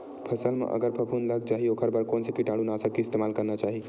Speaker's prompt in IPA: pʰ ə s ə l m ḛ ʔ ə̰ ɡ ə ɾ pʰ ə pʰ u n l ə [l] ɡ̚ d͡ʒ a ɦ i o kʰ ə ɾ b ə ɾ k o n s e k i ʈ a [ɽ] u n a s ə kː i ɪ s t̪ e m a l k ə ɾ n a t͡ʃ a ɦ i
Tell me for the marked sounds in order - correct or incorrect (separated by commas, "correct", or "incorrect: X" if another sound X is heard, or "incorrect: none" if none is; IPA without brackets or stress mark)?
incorrect: none, correct